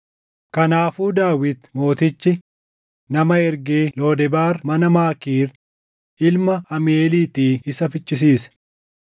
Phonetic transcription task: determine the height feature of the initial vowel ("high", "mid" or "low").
low